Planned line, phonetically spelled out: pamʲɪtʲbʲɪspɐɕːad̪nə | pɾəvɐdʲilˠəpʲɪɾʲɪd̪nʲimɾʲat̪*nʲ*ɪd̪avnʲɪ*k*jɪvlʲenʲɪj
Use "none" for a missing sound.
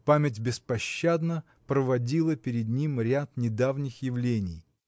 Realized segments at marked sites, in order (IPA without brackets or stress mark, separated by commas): nʲ, x